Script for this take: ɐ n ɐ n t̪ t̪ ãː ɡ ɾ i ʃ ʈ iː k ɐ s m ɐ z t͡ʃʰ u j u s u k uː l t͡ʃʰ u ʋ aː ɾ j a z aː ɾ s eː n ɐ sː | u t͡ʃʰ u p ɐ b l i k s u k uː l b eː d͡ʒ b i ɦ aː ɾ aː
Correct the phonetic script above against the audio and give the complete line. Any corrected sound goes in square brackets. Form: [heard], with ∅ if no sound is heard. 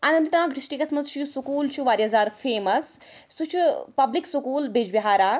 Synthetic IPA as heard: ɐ n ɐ n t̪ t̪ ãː ɡ ɾ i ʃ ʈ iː k ɐ s m ɐ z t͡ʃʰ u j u s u k uː l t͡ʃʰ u ʋ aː ɾ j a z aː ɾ [f] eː [m] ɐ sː | u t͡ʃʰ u p ɐ b l i k s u k uː l b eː d͡ʒ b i ɦ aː ɾ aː